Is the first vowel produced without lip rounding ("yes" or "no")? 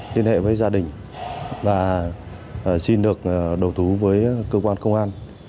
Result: yes